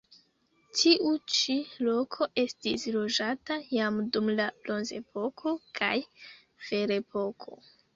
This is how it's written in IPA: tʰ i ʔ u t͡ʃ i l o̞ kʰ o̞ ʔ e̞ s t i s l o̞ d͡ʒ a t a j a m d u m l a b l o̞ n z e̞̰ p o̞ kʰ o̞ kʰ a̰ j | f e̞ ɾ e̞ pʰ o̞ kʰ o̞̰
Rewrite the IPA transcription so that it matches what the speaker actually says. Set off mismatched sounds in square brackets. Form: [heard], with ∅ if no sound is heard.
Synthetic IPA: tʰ i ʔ u t͡ʃ i l o̞ kʰ o̞ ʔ e̞ s t i s l o̞ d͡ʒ a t a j a m d u m l a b l o̞ n z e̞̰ p o̞ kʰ o̞ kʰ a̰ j | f e̞ ɾ e̞ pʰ o̞ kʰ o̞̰